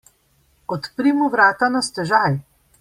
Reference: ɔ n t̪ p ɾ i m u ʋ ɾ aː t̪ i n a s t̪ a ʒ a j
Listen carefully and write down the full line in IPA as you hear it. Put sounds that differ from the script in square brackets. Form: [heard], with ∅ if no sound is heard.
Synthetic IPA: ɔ [∅] t̪ p ɾ i m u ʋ ɾ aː t̪ [a] n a s t̪ [ɛ] ʒ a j